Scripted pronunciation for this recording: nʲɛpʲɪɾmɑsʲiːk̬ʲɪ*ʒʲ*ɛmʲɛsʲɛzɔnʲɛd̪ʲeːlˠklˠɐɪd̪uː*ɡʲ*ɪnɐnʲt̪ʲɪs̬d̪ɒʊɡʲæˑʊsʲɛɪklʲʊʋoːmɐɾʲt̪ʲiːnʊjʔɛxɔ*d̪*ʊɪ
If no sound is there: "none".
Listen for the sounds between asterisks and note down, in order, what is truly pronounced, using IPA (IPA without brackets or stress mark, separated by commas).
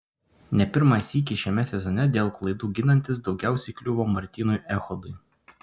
ʃʲ, ɡʲ, d̪